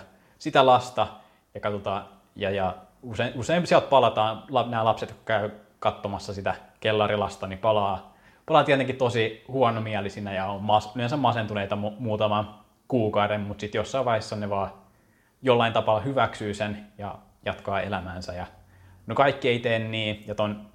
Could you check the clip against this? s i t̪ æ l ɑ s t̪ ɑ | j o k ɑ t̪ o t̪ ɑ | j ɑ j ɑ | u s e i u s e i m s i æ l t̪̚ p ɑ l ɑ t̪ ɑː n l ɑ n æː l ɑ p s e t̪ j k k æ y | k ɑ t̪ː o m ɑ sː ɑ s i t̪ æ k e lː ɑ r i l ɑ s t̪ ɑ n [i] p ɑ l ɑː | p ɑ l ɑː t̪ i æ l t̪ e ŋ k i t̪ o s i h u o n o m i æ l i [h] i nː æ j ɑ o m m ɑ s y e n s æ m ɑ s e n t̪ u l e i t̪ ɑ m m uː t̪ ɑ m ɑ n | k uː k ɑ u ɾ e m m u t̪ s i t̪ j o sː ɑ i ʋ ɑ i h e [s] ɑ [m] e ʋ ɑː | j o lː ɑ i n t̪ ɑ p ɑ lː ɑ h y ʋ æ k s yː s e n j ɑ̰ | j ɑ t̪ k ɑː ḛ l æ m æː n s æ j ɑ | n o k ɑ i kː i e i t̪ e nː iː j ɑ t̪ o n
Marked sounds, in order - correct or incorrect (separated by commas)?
correct, incorrect, incorrect, incorrect